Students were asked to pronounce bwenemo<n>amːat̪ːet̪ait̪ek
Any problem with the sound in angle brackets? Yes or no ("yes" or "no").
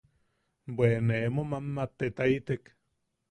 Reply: yes